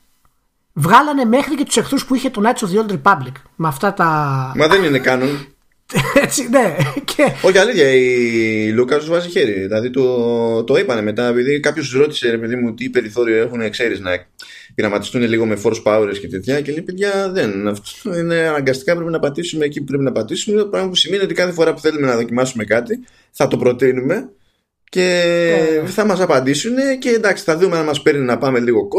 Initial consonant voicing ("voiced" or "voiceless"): voiced